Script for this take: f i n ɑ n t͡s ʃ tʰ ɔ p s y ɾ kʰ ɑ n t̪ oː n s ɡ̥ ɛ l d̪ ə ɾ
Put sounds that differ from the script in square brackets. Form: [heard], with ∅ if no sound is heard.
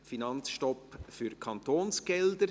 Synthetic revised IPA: f i n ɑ n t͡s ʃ [t] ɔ p [f] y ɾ kʰ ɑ n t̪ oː n s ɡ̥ ɛ l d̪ ə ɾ